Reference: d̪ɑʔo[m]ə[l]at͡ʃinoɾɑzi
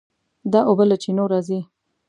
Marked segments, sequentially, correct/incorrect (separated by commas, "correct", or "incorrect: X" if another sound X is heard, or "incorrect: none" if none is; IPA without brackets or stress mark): incorrect: b, correct